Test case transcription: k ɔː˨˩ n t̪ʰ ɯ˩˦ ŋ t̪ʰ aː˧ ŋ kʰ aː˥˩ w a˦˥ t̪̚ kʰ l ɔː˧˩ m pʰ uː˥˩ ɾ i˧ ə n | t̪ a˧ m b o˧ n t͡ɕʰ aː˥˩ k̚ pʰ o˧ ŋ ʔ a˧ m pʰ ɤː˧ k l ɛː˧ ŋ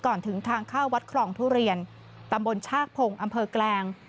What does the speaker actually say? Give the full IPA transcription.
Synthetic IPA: k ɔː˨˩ n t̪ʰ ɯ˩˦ ŋ t̪ʰ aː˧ ŋ kʰ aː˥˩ w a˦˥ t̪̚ kʰ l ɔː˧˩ ŋ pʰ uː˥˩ ɾ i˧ ə n | t̪ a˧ m b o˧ n t͡ɕʰ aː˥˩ k̚ pʰ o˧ ŋ ʔ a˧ m pʰ ɤː˧ k l ɛː˧ ŋ